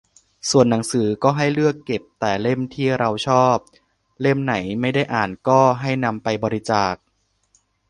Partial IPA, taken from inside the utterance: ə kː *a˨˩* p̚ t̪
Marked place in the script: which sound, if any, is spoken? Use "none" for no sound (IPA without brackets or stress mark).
e˨˩